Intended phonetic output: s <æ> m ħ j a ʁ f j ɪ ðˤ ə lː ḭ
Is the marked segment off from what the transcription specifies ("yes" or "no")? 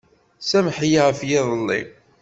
no